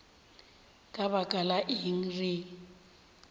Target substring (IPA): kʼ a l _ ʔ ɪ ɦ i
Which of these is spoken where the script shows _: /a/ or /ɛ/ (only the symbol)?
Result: a